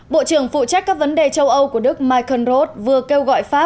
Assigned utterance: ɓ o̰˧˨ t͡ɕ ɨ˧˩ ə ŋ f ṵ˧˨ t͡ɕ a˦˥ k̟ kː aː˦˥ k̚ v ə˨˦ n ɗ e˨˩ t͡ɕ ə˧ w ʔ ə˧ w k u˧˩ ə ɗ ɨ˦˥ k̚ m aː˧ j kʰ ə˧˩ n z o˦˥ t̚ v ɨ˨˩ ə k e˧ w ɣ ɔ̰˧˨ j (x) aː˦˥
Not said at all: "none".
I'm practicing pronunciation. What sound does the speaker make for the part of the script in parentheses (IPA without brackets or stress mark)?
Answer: f